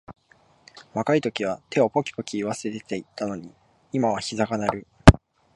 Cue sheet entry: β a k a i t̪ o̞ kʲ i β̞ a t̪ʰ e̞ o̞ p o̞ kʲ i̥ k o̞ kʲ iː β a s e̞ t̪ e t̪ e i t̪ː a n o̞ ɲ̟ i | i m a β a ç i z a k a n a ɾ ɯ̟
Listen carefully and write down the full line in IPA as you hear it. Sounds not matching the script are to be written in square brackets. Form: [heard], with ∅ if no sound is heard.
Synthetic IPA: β a k a i t̪ o̞ kʲ i β̞ a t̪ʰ e̞ o̞ p o̞ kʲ i̥ [p] o̞ kʲ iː β a s e̞ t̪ e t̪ e i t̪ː a n o̞ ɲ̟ i | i m a β a ç i z a k a n a ɾ ɯ̟